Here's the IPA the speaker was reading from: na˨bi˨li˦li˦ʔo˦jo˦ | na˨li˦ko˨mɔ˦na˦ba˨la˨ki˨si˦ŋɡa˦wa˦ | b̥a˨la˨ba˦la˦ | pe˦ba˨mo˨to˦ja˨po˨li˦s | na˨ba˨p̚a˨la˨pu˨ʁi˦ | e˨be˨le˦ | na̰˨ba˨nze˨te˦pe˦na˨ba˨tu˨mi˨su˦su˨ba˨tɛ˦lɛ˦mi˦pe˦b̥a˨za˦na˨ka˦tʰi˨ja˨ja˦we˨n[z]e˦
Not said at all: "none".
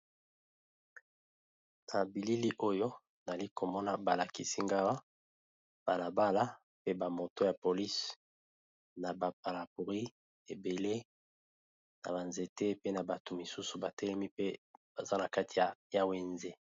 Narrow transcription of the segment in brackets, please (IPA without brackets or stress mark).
z